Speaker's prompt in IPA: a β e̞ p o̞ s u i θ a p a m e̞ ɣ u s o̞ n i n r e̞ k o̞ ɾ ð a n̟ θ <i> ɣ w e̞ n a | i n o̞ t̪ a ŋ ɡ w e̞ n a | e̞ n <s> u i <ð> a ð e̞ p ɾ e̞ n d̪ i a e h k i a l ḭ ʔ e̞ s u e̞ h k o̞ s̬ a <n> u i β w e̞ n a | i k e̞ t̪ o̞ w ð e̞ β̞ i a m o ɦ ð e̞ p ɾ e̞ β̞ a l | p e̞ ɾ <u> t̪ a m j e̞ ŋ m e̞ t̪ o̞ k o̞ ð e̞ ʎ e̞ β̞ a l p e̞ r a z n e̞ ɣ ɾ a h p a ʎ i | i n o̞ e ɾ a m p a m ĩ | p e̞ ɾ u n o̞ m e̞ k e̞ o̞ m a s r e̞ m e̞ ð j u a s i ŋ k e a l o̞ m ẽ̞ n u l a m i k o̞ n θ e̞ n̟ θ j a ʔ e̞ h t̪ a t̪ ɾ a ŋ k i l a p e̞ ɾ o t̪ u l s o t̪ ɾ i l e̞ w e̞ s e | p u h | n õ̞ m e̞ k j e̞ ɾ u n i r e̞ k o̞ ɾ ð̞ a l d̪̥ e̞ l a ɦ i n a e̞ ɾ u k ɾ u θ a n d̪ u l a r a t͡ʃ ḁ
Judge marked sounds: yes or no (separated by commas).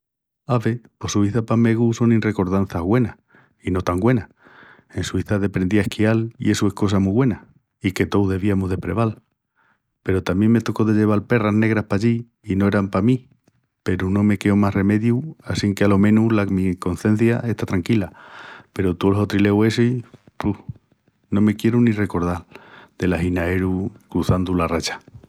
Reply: no, yes, no, no, no